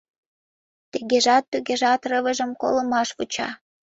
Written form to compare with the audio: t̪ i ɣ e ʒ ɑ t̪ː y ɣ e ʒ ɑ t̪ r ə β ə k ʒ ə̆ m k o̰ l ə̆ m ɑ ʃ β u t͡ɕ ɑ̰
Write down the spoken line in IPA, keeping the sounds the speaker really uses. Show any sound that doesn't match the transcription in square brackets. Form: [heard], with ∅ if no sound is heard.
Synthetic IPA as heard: t̪ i ɣ e ʒ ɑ t̪ː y ɣ e ʒ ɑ t̪ r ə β ə [∅] ʒ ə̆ m k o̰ l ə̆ m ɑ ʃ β u t͡ɕ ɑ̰